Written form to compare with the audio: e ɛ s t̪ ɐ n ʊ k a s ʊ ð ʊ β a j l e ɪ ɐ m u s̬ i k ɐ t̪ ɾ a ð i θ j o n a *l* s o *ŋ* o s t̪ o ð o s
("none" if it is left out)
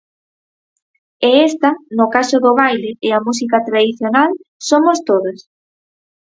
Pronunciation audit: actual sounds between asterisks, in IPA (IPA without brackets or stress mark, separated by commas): l, m